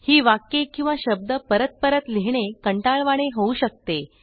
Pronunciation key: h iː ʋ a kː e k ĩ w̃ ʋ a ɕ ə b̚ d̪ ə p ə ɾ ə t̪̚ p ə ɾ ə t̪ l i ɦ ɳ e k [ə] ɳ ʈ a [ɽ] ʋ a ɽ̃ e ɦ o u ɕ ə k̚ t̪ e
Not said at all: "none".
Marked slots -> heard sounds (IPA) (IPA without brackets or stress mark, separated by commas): ə, ɭ